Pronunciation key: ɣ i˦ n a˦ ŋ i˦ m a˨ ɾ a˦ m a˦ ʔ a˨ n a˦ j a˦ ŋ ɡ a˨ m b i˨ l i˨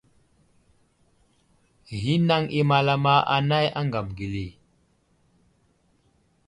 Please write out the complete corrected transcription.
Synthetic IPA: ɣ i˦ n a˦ ŋ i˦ m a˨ l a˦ m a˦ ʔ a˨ n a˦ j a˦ ŋ ɡ a˨ m ɡ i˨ l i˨